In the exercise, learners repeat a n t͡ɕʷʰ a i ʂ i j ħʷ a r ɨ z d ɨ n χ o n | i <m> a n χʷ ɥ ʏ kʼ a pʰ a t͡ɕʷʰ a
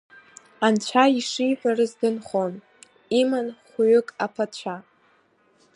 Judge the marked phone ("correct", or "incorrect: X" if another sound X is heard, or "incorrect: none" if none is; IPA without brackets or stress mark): correct